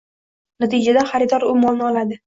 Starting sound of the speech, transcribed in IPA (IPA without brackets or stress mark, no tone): n